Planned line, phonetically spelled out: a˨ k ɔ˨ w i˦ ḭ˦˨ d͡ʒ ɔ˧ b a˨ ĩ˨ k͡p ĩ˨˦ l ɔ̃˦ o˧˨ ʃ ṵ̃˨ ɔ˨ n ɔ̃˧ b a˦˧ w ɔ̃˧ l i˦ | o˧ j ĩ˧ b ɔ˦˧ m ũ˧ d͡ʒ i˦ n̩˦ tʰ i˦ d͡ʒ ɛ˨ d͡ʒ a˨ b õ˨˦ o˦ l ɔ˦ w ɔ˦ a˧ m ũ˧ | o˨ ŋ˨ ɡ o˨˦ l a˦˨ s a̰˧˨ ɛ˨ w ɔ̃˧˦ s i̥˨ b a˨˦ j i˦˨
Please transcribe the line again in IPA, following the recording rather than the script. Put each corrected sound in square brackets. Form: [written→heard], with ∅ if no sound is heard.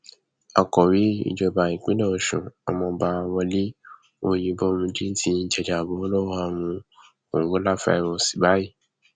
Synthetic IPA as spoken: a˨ k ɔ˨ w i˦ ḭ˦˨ d͡ʒ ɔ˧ b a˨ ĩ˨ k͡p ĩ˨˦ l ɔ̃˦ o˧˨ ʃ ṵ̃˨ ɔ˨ [n→m] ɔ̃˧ b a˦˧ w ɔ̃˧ l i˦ | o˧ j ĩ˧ b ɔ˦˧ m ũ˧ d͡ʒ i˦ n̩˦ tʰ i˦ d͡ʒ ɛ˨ d͡ʒ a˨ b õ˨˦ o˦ l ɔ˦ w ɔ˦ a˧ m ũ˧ | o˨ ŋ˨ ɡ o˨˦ l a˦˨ [s→f] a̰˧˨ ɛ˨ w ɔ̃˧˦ s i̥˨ b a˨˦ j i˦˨